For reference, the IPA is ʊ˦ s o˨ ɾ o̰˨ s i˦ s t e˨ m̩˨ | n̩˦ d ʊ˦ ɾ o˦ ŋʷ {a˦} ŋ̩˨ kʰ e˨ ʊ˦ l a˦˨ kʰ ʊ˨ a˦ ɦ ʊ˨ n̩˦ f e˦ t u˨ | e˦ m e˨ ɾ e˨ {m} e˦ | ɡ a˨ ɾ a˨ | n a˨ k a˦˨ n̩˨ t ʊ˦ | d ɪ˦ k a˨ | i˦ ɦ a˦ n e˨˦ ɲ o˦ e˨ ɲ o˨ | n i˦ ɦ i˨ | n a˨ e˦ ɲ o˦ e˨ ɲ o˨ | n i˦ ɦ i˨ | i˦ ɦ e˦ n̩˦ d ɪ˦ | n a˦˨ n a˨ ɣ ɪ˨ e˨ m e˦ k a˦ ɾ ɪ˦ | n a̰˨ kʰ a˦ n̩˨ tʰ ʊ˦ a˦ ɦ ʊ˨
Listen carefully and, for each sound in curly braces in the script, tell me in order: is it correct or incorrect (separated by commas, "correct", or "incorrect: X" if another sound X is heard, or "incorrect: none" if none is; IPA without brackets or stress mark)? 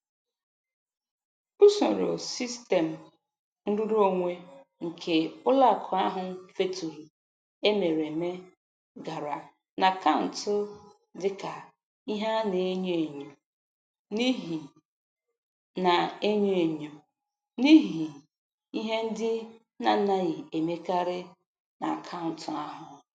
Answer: incorrect: e˦, correct